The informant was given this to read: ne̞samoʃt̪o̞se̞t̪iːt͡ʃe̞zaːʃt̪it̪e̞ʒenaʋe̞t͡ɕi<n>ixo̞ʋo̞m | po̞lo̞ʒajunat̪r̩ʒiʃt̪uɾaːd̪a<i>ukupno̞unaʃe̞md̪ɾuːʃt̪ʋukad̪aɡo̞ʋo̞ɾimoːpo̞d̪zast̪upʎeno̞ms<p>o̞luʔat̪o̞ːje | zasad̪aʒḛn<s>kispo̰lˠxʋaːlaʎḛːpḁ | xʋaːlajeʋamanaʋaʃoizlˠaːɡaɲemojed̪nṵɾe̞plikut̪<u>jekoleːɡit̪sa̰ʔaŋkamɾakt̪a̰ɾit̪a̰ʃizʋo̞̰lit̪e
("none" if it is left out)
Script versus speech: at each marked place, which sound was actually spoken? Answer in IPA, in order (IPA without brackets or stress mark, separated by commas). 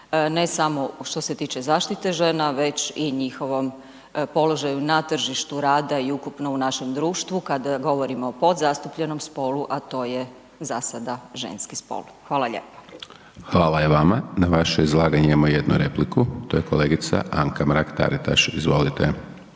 ɲ, i, p, s, o